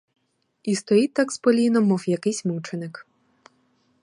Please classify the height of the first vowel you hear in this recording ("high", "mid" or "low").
high